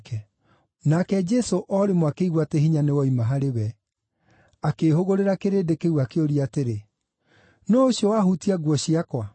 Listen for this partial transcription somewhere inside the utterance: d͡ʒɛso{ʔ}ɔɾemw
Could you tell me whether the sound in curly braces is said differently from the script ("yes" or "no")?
no